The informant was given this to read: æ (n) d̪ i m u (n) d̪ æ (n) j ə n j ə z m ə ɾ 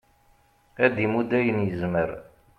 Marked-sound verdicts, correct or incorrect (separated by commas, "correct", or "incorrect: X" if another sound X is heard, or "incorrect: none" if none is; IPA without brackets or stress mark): incorrect: none, incorrect: none, incorrect: none